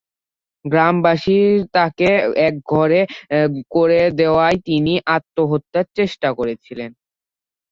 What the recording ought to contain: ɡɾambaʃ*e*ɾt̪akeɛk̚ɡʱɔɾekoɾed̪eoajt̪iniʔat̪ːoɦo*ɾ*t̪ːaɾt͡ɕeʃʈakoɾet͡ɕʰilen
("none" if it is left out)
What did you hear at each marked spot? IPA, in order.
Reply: i, none

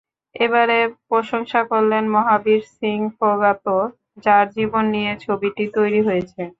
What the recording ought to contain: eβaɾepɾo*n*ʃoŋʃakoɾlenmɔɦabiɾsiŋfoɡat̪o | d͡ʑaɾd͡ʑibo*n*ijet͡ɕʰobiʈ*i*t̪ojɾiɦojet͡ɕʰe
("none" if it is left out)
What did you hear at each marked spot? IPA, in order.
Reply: none, nː, i

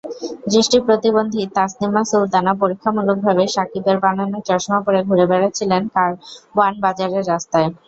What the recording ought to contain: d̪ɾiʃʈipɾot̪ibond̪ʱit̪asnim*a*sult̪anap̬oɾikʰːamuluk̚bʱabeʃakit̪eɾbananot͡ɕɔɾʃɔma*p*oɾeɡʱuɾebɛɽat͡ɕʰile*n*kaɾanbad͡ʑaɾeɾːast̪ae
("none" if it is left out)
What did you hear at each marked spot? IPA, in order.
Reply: a, p, n

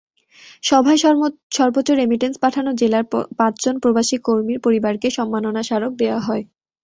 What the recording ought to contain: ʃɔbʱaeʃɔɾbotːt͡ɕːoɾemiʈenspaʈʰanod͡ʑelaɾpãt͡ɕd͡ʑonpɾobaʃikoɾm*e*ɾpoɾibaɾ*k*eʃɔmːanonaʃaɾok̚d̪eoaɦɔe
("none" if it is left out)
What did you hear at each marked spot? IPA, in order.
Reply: i, k

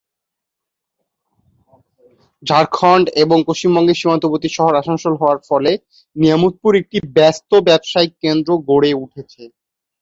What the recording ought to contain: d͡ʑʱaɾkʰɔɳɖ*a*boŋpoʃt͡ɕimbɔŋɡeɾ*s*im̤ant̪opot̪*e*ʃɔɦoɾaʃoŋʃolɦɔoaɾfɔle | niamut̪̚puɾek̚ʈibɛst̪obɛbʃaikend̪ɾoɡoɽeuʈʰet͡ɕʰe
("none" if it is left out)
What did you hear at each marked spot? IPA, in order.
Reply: e, ʃ, i

